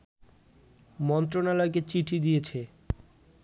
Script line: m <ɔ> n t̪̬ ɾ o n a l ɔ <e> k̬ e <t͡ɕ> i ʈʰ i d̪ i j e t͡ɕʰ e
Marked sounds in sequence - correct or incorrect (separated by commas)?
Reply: correct, correct, correct